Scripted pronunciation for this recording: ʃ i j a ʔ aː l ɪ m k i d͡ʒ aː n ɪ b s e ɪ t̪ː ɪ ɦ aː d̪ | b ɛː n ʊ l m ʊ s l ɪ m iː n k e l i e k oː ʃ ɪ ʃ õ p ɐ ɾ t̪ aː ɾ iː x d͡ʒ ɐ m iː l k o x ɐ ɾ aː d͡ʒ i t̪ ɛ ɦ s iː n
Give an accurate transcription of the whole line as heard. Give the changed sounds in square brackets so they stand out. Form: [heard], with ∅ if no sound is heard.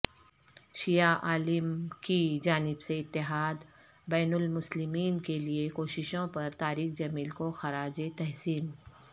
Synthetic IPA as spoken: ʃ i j a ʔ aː l ɪ m k i d͡ʒ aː n ɪ b s e ɪ t̪ː ɪ ɦ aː d̪ | b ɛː n ʊ l m ʊ s l ɪ m iː n k e l i e k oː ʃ ɪ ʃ õ p ɐ ɾ t̪ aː ɾ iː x d͡ʒ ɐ m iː l k o x ɐ ɾ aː d͡ʒ [e] t̪ ɛ ɦ s iː n